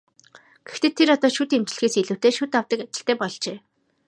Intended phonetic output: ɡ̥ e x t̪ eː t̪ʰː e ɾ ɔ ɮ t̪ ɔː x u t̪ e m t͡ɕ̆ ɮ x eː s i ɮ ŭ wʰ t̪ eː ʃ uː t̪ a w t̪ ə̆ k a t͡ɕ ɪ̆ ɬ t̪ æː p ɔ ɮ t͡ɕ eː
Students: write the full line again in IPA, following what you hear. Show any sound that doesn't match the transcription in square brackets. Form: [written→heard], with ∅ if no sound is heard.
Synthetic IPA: ɡ̥ e x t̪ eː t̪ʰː e ɾ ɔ [ɮ→∅] t̪ ɔː [x→ʃ] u t̪ e m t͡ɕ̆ ɮ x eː s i ɮ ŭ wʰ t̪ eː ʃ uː t̪ a w t̪ ə̆ k a t͡ɕ ɪ̆ ɬ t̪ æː p ɔ ɮ t͡ɕ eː